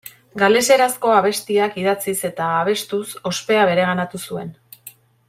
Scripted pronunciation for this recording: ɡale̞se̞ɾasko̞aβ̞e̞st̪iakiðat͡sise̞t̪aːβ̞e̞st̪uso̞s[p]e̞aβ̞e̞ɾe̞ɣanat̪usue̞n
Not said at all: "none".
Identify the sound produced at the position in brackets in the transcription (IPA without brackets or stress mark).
p